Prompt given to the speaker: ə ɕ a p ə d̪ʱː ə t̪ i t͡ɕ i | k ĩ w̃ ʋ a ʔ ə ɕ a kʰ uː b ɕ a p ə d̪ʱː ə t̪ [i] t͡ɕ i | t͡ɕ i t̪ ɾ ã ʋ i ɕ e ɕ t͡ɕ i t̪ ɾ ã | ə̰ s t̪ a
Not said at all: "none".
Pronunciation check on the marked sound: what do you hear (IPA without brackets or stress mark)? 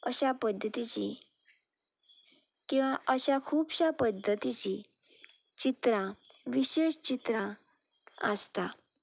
i